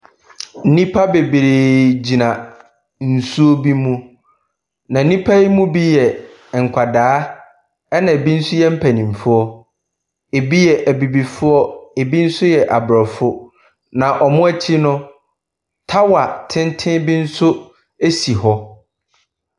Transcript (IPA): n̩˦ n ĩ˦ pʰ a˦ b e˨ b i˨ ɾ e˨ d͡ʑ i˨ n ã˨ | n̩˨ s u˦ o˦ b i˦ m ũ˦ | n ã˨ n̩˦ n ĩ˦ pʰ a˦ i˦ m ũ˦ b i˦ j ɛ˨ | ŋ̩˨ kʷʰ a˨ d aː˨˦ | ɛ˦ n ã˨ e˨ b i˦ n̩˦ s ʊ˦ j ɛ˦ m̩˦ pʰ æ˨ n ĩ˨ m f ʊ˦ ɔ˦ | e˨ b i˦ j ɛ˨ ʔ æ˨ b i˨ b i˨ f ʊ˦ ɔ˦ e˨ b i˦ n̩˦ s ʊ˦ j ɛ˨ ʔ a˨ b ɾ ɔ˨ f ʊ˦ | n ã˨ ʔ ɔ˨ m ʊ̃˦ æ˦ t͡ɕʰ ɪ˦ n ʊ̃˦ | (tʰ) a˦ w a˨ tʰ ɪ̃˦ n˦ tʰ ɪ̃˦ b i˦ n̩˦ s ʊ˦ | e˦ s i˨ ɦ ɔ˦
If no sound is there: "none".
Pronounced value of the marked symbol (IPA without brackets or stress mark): tʰ